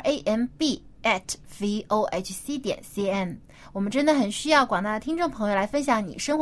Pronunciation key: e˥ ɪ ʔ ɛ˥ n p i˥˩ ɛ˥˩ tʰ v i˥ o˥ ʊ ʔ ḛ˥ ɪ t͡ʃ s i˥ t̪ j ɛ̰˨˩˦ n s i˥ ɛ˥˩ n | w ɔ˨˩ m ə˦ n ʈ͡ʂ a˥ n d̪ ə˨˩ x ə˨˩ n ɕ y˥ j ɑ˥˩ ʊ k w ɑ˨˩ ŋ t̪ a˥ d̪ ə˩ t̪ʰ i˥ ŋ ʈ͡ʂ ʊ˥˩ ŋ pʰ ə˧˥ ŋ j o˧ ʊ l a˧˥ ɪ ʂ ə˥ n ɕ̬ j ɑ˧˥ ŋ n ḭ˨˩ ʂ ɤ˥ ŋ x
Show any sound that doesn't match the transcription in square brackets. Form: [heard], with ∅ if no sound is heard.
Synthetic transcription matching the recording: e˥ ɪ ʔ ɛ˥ n p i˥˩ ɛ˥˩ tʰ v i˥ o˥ ʊ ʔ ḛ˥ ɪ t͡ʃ s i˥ t̪ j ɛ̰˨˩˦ n s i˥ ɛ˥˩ n | w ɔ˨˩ m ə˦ n ʈ͡ʂ [ə˥] n d̪ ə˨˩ x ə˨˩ n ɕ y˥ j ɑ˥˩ ʊ k w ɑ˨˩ ŋ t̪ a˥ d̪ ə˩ t̪ʰ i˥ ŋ ʈ͡ʂ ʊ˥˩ ŋ pʰ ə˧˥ ŋ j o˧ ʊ l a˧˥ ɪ [f] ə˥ n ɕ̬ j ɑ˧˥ ŋ n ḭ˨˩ ʂ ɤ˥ ŋ x